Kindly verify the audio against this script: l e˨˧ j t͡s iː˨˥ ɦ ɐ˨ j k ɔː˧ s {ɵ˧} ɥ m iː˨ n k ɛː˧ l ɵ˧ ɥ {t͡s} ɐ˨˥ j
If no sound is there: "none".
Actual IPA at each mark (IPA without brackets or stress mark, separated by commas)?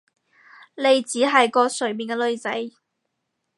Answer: ɵ˨˩, t͡s